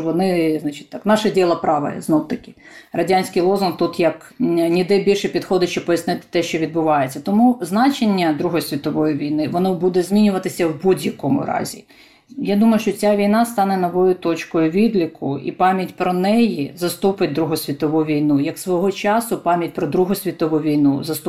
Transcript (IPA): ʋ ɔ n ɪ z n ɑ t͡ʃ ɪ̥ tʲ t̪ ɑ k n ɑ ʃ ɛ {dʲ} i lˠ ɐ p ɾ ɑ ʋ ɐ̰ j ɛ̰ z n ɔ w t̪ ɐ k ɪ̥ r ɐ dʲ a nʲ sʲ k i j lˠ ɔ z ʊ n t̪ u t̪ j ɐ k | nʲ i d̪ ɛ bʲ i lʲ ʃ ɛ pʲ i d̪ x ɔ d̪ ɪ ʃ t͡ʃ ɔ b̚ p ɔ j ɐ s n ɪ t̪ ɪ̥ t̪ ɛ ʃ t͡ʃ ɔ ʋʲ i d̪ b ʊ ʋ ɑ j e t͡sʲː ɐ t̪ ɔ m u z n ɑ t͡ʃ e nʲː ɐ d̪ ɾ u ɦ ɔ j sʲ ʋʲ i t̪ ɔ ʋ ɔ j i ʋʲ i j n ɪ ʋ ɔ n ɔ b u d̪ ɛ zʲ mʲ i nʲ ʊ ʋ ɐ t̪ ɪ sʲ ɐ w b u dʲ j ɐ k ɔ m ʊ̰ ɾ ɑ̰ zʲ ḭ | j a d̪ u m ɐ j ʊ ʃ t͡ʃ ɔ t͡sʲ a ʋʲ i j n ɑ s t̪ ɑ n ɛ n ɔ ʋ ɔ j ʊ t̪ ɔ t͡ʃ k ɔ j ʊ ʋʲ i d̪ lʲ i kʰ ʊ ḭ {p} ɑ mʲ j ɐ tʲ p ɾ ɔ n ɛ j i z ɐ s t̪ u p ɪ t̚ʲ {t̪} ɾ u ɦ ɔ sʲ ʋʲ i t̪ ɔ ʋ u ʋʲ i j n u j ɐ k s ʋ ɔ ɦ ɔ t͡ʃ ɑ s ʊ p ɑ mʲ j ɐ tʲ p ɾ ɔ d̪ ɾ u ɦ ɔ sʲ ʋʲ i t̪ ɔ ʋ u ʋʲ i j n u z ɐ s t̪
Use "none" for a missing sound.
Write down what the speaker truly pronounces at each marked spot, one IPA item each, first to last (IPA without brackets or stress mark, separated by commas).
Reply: dʲ, p, d̪